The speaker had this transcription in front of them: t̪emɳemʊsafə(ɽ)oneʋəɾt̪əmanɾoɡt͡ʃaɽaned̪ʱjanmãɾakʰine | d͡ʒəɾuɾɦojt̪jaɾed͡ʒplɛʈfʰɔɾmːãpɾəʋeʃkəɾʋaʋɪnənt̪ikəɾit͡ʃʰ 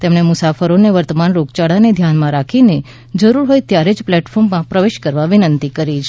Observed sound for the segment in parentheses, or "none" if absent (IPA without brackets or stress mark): ɾ